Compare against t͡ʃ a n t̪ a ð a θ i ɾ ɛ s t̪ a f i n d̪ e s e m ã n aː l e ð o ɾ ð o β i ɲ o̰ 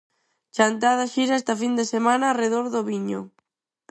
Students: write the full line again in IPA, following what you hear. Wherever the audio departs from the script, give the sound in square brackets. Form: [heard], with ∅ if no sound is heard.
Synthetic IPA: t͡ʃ a n t̪ a ð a [ʃ] i ɾ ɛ s t̪ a f i n d̪ e s e m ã n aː [r] e ð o ɾ ð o β i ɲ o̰